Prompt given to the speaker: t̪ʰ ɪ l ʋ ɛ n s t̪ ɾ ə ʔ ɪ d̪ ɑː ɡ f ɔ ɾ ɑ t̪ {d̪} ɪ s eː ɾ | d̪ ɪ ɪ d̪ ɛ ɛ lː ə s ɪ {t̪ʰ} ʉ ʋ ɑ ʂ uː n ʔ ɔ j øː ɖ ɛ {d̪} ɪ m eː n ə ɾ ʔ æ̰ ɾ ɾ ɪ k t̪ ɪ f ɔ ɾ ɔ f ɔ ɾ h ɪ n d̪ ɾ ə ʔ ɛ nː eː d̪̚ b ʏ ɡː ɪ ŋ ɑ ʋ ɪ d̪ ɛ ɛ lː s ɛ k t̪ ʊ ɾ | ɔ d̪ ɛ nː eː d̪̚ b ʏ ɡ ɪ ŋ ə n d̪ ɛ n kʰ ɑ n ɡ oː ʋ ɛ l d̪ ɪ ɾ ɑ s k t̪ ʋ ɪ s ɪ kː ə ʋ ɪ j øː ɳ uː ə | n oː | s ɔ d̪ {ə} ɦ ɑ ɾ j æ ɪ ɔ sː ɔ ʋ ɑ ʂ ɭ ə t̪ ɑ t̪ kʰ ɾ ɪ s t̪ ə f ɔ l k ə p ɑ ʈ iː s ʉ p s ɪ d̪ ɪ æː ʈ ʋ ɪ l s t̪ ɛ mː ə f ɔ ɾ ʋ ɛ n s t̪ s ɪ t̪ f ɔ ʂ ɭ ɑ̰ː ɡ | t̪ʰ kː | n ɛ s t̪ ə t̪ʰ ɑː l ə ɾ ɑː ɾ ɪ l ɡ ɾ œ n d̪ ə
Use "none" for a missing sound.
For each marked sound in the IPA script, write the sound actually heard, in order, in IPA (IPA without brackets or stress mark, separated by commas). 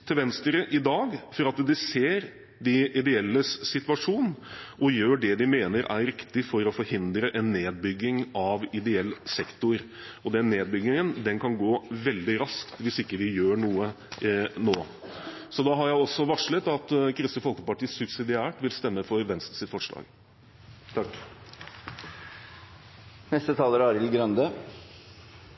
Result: d̪, t̪, d̪, ɑ